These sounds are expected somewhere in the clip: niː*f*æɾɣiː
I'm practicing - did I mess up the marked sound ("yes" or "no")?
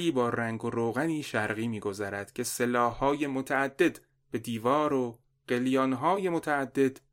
yes